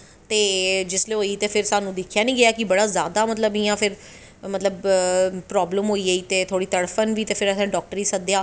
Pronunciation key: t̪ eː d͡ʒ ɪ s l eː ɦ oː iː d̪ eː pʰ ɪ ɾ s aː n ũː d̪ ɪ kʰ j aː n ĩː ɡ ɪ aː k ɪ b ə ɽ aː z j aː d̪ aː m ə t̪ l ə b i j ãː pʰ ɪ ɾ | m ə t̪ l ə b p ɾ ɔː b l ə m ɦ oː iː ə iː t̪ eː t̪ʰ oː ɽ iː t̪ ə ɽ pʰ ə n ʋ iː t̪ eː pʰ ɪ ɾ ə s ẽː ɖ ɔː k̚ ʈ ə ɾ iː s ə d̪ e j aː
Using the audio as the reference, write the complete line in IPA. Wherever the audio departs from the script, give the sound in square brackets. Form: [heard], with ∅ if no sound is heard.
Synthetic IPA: t̪ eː d͡ʒ ɪ s l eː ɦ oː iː [t̪] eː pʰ ɪ ɾ s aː n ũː d̪ ɪ kʰ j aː n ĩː ɡ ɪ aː k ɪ b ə ɽ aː z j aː d̪ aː m ə t̪ l ə b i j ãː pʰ ɪ ɾ | m ə t̪ l ə b p ɾ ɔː b l ə m ɦ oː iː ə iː t̪ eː t̪ʰ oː ɽ iː t̪ ə ɽ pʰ ə n ʋ iː t̪ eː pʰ ɪ ɾ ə s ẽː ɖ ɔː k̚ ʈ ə ɾ iː s ə d̪ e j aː